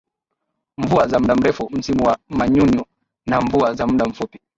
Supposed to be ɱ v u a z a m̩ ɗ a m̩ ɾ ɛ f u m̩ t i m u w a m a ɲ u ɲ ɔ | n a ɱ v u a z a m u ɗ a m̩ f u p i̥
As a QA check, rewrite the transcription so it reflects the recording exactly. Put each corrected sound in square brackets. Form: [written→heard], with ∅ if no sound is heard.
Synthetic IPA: ɱ v u a z a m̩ ɗ a m̩ ɾ ɛ f u m̩ [t→s] i m u w a m a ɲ u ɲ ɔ | n a ɱ v u a z a m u ɗ a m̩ f u p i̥